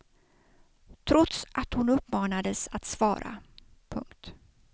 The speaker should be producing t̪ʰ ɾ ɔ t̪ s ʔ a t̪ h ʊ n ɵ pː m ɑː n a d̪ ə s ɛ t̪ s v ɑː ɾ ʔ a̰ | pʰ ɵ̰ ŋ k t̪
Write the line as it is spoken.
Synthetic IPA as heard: t̪ʰ ɾ ɔ t̪ s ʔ a t̪ h ʊ n ɵ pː m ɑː n a d̪ ə s a t̪ s v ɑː ɾ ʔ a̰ | pʰ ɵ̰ ŋ k t̪